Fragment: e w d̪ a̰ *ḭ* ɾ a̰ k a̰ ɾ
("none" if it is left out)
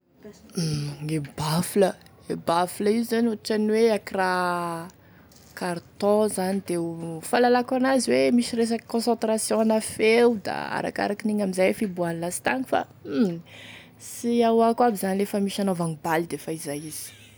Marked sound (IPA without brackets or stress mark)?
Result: a̰